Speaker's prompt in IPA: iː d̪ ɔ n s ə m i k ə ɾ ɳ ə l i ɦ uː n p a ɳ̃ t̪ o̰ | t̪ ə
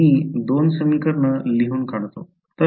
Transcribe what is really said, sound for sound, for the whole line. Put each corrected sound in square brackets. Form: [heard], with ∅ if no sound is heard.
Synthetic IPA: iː d̪ [o] n s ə m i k ə ɾ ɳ ə l i ɦ uː n [k] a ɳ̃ t̪ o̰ | t̪ ə